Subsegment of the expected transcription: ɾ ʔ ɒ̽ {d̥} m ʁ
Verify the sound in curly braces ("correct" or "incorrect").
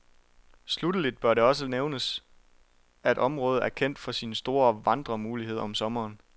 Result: incorrect